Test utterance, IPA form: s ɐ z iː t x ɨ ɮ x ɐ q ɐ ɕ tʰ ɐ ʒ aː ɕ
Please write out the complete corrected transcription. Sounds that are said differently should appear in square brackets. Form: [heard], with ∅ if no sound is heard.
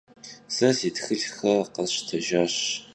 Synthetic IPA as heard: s ɐ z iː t x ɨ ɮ x ɐ q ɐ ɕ tʰ ɐ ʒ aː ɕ